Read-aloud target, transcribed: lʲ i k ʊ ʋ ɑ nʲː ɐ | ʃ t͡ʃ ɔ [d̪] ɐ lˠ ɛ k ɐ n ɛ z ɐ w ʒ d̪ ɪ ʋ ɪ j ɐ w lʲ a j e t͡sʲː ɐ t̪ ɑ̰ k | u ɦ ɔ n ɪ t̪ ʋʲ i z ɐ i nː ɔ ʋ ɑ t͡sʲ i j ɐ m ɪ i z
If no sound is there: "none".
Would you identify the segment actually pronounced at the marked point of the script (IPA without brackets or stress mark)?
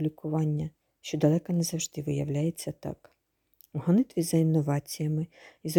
d̪